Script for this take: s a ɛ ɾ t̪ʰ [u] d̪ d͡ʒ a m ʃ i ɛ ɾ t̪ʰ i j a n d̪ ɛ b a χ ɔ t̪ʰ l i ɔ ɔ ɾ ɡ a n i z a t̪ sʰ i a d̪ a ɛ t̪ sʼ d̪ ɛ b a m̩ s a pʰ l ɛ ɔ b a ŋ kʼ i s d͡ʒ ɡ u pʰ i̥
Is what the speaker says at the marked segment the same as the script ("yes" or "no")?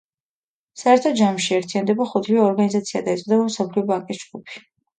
no